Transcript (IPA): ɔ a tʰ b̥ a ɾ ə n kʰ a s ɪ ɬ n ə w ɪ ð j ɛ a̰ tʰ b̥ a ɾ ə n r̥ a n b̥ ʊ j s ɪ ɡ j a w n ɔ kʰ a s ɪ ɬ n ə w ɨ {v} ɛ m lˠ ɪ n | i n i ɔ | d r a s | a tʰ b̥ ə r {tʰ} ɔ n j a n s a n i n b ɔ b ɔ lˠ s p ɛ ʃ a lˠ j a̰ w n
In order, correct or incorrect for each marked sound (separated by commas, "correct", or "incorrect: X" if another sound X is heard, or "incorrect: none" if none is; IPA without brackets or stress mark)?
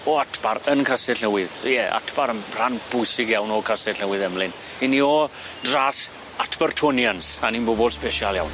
incorrect: ð, correct